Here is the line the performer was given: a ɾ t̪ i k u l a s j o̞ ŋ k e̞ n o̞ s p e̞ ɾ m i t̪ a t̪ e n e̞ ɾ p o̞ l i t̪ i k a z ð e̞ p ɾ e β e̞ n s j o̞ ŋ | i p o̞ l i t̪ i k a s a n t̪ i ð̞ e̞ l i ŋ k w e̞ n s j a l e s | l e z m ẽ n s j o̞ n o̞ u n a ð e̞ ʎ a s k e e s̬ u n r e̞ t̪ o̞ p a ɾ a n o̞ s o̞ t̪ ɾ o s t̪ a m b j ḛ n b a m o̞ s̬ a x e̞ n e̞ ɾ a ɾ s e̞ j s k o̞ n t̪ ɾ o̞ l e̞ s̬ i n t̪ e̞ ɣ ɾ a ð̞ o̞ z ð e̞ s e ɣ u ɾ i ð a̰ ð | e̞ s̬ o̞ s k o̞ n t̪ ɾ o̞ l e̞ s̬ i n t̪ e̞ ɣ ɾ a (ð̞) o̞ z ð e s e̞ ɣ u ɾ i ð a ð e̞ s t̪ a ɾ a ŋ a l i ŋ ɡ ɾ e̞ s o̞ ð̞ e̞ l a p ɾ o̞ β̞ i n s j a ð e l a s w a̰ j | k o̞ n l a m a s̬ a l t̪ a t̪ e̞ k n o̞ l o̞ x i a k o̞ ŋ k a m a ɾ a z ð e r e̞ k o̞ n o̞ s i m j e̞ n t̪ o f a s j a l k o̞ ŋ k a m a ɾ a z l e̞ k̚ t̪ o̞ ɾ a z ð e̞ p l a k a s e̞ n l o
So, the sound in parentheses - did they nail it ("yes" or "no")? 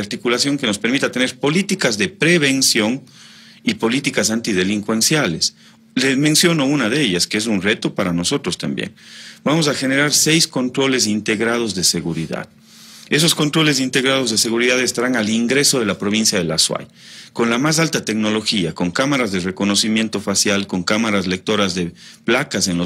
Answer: yes